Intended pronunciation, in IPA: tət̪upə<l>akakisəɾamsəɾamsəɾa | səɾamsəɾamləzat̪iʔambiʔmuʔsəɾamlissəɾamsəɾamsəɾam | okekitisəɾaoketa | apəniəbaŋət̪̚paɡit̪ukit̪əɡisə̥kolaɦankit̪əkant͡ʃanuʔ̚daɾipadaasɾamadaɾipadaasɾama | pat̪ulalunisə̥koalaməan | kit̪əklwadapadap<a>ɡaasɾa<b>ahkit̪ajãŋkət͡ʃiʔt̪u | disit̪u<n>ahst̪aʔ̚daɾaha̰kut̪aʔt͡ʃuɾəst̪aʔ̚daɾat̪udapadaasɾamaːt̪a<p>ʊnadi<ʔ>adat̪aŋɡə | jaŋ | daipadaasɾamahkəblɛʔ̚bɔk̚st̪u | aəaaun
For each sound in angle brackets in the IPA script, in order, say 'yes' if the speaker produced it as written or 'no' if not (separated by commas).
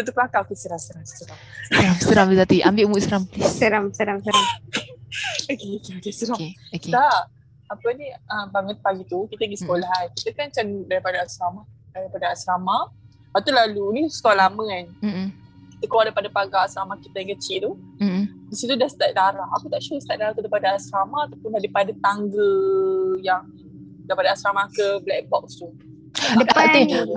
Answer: yes, yes, no, no, yes, no